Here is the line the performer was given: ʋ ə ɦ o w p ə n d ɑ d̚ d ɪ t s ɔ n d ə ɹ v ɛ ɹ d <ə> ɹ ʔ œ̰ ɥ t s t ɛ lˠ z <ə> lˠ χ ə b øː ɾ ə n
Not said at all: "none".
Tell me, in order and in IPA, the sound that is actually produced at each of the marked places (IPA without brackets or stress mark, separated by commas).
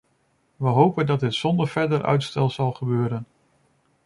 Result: ə, ɑ